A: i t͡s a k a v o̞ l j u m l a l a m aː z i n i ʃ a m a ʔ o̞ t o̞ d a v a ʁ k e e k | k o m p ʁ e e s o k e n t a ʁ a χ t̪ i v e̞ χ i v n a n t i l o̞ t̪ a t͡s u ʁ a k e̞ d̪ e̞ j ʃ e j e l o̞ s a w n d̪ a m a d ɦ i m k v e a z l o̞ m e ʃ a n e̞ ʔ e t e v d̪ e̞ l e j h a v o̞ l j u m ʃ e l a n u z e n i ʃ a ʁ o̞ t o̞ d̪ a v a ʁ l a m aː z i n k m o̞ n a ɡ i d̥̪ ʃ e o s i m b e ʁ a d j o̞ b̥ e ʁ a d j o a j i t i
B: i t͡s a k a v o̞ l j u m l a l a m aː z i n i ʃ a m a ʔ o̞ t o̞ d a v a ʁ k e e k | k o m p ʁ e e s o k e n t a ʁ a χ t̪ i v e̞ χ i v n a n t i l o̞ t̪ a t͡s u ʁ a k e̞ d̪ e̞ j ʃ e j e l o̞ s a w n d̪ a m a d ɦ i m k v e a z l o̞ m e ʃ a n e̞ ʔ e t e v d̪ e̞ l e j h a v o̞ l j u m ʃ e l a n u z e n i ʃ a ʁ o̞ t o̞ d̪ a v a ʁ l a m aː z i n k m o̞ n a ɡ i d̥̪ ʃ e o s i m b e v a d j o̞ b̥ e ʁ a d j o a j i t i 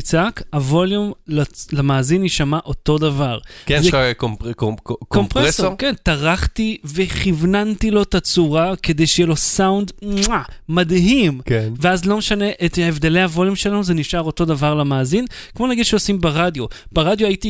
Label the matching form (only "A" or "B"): A